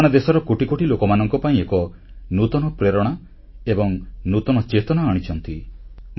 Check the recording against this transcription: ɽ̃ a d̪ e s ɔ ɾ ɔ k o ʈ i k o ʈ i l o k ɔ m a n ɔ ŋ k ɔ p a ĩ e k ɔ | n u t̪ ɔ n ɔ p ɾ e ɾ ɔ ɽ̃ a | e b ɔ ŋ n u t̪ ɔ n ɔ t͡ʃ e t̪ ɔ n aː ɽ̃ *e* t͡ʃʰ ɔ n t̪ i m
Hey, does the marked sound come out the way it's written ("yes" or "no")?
no